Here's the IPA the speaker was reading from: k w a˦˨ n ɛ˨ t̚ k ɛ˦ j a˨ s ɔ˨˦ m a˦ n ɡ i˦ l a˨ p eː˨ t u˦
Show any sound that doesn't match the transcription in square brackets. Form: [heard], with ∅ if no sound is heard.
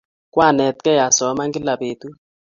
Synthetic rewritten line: k w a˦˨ n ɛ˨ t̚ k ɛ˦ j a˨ s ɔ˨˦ m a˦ [ŋ] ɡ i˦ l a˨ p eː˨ t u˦